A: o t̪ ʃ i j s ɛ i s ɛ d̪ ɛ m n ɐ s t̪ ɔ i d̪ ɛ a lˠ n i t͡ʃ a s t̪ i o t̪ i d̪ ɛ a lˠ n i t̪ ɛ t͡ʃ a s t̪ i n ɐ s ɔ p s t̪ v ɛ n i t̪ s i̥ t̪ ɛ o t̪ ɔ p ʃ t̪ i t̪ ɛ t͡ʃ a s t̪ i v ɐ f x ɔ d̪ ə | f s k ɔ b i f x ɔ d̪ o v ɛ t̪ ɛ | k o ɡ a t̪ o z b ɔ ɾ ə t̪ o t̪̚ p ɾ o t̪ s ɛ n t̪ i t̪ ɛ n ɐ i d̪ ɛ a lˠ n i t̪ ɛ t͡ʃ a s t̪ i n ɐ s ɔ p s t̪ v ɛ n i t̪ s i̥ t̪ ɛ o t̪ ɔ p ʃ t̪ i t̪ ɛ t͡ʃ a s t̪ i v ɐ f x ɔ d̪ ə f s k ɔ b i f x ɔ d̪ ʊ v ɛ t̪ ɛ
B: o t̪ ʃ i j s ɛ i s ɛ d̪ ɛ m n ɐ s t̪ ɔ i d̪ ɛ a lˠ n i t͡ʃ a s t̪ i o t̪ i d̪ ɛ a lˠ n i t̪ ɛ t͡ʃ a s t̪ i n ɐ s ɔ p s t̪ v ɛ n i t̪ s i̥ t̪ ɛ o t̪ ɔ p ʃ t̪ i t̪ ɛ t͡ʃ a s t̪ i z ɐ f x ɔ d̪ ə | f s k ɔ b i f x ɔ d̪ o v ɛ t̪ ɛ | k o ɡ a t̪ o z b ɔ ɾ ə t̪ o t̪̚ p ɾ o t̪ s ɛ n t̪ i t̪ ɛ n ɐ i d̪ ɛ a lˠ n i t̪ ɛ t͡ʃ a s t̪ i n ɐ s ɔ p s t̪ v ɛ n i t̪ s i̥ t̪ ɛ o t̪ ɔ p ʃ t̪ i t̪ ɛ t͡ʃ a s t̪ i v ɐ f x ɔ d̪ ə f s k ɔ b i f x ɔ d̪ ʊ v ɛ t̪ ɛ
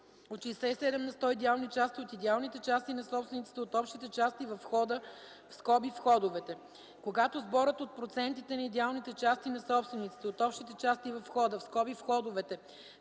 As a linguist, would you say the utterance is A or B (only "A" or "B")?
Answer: A